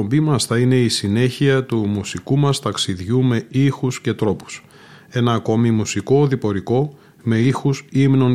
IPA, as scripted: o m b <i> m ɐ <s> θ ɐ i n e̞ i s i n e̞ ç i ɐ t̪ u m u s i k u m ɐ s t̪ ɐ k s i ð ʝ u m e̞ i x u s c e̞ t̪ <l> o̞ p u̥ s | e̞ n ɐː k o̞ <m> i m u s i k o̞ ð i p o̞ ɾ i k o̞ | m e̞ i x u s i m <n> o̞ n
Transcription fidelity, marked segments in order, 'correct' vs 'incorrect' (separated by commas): correct, correct, incorrect, correct, correct